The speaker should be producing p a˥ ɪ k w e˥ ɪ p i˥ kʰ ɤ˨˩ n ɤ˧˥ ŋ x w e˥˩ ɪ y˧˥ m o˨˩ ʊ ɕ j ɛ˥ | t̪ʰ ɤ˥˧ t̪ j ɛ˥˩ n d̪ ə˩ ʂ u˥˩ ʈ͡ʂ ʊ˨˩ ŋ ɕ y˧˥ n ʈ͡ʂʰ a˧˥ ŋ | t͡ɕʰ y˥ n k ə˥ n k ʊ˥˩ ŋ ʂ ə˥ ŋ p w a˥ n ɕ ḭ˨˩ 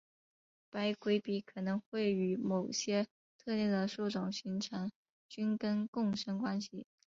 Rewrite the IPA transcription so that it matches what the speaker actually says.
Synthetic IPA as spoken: p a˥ ɪ k w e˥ ɪ p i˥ kʰ ɤ˨˩ n ɤ˧˥ ŋ x w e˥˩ ɪ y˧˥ m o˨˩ ʊ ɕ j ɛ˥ | t̪ʰ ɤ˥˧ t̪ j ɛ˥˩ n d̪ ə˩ ʂ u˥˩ ʈ͡ʂ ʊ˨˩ ŋ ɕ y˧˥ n ʈ͡ʂʰ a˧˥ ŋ | t͡ɕ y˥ n k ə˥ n k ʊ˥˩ ŋ ʂ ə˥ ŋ k w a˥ n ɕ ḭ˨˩

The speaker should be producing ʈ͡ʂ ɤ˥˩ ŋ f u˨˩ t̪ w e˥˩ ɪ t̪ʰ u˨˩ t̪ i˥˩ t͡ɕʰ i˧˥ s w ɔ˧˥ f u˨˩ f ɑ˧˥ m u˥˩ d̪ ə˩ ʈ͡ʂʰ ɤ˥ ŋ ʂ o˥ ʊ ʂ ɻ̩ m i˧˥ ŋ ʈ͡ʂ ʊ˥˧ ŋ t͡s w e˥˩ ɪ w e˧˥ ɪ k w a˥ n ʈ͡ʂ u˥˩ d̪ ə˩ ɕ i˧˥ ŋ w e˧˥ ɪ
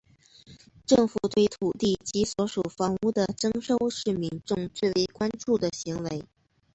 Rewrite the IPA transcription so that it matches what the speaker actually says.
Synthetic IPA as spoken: ʈ͡ʂ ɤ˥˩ ŋ f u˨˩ t̪ w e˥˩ ɪ t̪ʰ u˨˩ t̪ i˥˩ t͡ɕ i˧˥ s w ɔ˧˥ ʂ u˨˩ f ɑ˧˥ ŋ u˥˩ d̪ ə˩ ʈ͡ʂ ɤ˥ ŋ ʂ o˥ ʊ ʂ ɻ̩ m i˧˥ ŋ ʈ͡ʂ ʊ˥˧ ŋ t͡s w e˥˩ ɪ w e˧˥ ɪ k w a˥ n ʈ͡ʂ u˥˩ d̪ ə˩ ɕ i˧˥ ŋ w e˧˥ ɪ

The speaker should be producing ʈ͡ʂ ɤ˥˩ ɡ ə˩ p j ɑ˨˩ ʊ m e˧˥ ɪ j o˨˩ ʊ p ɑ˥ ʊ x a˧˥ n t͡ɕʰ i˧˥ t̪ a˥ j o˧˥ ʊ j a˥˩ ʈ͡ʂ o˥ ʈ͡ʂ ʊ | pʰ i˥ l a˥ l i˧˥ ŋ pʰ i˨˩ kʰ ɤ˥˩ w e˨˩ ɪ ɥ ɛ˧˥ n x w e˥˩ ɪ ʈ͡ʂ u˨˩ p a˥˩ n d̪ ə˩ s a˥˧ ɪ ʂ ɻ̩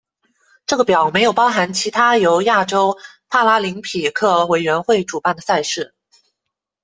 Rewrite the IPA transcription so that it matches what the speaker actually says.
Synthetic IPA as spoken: ʈ͡ʂ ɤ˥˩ ɡ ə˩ p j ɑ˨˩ ʊ m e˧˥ ɪ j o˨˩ ʊ p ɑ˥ ʊ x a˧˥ n t͡ɕʰ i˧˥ t̪ʰ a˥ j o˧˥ ʊ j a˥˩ ʈ͡ʂ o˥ ʊ | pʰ a˥ l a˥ l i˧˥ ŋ pʰ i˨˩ kʰ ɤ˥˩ w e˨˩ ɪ ɥ ɛ˧˥ n x w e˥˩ ɪ ʈ͡ʂ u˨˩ p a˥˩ n d̪ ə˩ s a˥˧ ɪ ʂ ɻ̩

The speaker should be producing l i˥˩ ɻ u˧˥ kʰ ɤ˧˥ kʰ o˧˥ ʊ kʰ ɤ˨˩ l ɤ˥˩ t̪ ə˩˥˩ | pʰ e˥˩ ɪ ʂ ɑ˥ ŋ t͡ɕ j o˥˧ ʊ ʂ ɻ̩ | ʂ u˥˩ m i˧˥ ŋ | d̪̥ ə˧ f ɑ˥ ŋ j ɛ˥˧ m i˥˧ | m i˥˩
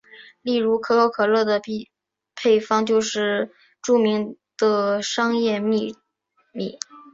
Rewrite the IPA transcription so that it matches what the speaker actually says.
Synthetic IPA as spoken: l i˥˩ ɻ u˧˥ kʰ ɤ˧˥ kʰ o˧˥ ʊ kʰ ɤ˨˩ l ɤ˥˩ d̪ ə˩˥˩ | pʰ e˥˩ ɪ f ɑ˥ ŋ t͡ɕ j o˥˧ ʊ ʂ ɻ̩ | ʈ͡ʂ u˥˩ m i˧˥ ŋ | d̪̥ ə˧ ʂ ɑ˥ ŋ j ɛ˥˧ m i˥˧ | m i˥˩

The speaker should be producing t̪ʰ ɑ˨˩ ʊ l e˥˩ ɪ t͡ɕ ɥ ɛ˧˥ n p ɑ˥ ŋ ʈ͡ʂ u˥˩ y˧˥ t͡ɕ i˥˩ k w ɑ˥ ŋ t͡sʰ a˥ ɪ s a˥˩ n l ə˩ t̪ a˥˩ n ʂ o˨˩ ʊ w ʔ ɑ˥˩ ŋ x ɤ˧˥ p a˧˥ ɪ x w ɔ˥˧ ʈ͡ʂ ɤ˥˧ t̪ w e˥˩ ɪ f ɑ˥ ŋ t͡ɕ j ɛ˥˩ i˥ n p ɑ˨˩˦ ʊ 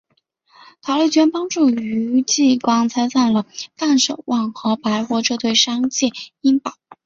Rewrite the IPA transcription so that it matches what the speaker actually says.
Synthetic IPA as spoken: t̪ʰ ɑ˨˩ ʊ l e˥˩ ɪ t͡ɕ ɥ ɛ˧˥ n p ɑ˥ ŋ ʈ͡ʂ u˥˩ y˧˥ t͡ɕ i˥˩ k w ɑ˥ ŋ t͡sʰ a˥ ɪ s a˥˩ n l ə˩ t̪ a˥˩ n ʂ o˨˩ ʊ w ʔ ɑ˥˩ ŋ x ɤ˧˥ p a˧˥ ɪ x w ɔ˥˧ ʈ͡ʂ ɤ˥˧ t̪ w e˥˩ ɪ ʂ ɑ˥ ŋ t͡ɕ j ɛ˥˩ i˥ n p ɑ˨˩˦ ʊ

